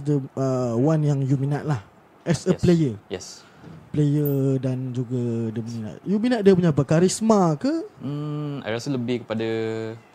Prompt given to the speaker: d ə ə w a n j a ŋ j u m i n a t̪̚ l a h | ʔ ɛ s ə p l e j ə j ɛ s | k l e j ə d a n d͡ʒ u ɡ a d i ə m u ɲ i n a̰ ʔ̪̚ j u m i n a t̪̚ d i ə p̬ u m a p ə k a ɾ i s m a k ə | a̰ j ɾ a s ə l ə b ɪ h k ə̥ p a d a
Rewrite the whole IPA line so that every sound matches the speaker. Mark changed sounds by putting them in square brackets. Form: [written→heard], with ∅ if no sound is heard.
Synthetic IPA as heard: d ə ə w a n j a ŋ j u m i n a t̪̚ l a h | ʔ ɛ s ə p l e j ə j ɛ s | [k→p] l e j ə d a n d͡ʒ u ɡ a d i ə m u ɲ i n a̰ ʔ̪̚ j u m i n a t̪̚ d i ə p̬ u [m→ɲ] a p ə k a ɾ i s m a k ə | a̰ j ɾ a s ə l ə b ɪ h k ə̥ p a d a